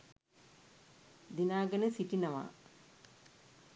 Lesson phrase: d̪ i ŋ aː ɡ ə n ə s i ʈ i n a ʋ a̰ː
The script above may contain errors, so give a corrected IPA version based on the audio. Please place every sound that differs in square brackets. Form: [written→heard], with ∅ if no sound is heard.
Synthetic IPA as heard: d̪ i [ŋ→n] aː ɡ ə n ə s i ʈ i n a ʋ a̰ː